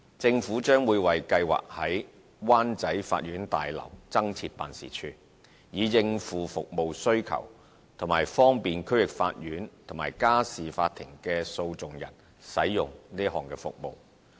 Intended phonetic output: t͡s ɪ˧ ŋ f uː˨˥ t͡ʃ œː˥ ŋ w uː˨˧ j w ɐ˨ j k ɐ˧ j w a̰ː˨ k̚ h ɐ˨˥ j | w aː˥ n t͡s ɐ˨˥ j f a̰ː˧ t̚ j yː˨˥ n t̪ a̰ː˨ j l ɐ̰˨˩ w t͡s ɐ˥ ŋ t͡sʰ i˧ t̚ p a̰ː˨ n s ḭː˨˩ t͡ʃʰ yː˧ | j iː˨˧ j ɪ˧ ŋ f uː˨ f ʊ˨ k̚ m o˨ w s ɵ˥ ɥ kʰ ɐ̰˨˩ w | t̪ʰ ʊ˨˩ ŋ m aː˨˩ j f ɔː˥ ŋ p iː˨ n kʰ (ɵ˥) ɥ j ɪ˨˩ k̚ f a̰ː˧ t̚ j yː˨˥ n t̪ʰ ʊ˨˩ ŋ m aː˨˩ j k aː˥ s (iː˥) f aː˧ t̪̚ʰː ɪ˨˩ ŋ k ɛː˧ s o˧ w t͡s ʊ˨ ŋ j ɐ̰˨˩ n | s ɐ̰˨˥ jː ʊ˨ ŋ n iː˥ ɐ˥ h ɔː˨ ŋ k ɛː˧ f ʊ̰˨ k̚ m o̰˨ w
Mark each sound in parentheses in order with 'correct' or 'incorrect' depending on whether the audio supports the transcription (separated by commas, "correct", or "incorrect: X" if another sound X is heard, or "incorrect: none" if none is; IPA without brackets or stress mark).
correct, incorrect: iː˨